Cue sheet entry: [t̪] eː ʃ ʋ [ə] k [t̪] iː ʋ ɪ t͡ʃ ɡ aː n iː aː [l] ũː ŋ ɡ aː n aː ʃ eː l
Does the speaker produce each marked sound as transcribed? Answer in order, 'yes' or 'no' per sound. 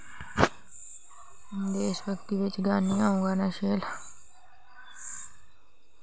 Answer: no, yes, yes, no

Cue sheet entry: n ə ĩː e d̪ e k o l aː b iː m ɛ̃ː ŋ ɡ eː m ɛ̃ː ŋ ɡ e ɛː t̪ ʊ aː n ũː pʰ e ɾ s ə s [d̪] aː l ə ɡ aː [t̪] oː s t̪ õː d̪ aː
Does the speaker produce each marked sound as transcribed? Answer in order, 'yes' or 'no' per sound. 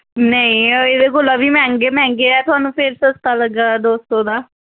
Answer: no, no

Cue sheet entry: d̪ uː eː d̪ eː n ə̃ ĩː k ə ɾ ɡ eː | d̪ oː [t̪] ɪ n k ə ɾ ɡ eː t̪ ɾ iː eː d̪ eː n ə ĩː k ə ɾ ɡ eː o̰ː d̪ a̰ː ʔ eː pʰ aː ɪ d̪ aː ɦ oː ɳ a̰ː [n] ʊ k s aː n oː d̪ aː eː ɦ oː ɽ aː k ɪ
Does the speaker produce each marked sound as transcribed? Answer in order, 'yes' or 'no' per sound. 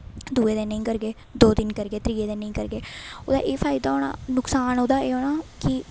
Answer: no, yes

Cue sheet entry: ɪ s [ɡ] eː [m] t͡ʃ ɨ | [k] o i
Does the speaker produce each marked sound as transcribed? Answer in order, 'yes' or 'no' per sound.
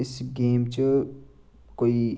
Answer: yes, yes, yes

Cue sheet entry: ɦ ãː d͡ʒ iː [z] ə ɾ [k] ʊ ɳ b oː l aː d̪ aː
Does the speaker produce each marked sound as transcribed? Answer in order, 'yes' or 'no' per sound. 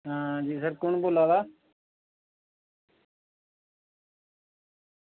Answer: no, yes

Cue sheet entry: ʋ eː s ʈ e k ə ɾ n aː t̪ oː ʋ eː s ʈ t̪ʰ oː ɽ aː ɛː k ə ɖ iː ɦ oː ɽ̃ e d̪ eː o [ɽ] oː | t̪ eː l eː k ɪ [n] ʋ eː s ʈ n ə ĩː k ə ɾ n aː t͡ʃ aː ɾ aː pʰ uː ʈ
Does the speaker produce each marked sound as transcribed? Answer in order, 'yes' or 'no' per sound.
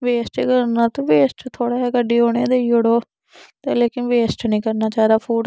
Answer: yes, yes

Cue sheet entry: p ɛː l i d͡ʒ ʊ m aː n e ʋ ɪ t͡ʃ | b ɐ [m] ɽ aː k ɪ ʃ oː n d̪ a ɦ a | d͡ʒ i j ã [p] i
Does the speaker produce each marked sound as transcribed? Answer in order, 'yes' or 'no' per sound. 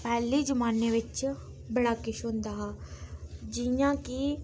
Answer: no, no

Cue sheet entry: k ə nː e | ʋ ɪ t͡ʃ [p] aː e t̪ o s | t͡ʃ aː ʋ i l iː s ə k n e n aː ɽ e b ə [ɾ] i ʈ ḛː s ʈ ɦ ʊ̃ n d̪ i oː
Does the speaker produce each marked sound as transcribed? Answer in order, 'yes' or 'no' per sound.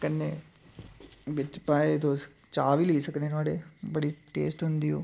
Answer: yes, no

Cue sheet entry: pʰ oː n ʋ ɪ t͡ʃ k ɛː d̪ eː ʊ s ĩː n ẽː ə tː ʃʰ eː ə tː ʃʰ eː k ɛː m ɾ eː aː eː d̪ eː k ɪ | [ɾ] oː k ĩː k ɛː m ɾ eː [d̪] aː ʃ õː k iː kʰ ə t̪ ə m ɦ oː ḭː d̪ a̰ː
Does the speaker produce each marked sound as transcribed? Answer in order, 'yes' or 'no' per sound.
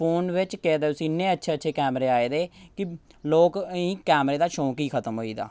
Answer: no, yes

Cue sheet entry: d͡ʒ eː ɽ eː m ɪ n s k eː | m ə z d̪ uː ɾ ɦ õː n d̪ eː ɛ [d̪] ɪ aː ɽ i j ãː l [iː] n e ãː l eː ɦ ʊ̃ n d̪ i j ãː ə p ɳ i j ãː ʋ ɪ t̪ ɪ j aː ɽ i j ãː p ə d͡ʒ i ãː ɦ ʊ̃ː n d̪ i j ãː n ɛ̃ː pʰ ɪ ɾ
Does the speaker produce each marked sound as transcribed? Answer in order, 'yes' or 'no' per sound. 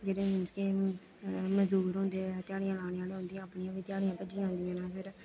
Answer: no, no

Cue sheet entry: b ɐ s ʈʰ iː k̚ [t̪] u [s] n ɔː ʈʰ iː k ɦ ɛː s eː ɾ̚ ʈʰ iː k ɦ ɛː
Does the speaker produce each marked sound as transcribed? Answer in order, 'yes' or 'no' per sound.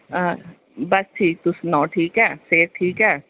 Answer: yes, yes

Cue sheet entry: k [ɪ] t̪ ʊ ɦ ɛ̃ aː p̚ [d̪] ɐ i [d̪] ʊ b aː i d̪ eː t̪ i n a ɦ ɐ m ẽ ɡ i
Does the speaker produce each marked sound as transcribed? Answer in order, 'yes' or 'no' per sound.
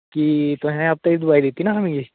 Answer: no, no, yes

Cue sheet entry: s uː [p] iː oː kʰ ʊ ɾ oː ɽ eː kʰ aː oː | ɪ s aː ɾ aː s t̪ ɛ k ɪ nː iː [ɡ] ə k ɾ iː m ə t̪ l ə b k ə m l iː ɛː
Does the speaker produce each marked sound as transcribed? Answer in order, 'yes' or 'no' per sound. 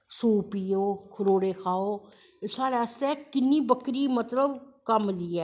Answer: yes, no

